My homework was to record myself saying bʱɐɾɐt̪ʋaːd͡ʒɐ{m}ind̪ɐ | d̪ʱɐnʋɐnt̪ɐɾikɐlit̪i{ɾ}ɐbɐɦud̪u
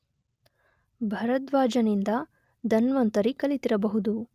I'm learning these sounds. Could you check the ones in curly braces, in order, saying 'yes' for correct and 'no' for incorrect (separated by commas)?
no, yes